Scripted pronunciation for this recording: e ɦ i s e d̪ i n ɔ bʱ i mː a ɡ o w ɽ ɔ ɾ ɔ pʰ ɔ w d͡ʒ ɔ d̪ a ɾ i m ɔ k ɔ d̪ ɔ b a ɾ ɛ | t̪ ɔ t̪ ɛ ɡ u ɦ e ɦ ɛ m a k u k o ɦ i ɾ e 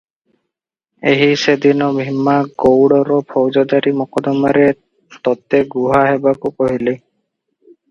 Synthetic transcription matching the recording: e ɦ i s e d̪ i n ɔ bʱ i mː a ɡ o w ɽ ɔ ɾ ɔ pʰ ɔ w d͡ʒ ɔ d̪ a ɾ i m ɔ k ɔ d̪ ɔ m a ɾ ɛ | t̪ ɔ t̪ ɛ ɡ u ɦ a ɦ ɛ b a k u k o ɦ i l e